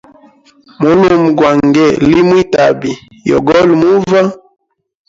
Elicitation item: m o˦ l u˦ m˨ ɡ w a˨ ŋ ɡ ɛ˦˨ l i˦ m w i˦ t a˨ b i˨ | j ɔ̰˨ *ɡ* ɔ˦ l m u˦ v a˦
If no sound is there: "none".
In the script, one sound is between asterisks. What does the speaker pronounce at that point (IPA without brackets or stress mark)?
ɡ